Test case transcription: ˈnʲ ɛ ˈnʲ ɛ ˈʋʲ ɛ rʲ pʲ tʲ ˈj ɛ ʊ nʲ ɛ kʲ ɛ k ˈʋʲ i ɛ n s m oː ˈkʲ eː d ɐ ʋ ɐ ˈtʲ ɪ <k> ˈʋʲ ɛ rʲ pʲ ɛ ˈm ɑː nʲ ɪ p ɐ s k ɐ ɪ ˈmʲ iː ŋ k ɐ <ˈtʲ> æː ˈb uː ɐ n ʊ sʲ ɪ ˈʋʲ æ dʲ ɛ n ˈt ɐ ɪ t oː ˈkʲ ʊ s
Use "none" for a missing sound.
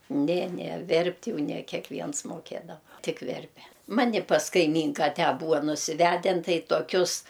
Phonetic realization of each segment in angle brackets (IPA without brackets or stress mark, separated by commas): k, tʲ